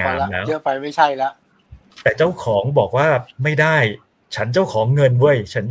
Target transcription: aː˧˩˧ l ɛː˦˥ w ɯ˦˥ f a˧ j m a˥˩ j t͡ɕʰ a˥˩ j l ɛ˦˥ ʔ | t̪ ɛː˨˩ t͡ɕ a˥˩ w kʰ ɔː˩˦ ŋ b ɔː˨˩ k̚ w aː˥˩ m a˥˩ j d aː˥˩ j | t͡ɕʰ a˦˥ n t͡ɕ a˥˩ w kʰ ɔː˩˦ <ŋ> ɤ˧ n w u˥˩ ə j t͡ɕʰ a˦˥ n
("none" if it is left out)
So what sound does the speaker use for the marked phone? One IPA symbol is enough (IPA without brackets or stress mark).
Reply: ŋː